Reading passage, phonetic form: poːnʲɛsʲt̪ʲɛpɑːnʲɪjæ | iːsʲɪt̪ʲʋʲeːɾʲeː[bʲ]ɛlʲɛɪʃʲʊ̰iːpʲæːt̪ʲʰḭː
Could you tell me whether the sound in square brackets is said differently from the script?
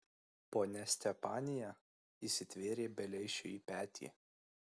no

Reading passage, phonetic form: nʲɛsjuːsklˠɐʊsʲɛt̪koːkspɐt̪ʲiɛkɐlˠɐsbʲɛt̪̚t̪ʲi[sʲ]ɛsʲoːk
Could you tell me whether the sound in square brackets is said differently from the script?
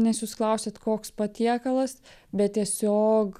yes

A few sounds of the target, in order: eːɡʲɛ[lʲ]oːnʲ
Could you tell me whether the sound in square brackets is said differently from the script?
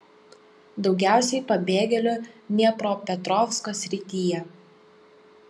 no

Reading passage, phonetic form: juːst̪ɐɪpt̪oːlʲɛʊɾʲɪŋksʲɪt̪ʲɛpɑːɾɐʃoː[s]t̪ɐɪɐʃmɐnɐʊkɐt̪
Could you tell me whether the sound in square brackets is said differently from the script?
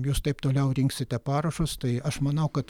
no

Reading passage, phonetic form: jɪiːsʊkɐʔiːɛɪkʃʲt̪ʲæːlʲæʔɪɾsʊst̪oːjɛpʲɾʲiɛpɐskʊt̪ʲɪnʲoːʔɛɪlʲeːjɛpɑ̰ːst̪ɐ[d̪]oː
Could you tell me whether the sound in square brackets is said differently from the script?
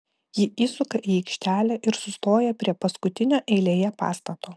yes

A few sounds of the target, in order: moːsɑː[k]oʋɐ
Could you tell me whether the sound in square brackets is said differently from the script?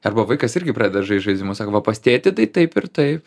no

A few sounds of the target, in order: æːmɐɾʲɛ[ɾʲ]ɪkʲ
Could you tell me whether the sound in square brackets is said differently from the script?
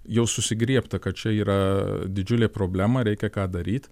yes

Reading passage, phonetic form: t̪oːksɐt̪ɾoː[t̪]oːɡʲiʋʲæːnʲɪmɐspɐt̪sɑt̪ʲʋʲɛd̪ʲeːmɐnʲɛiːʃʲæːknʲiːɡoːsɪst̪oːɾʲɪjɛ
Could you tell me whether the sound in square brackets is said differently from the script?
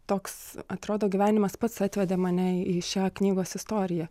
yes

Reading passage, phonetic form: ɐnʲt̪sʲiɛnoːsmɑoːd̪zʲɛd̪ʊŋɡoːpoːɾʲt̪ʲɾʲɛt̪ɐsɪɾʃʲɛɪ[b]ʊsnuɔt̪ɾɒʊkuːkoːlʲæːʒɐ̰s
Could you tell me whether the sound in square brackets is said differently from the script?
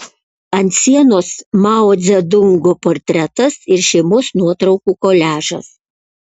yes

